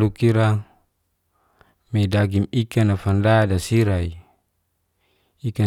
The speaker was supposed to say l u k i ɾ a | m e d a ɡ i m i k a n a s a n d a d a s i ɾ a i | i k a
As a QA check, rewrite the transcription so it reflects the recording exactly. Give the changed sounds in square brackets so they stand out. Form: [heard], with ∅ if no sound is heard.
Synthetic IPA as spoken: l u k i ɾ a | m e d a ɡ i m i k a n a [f] a n d a d a s i ɾ a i | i k a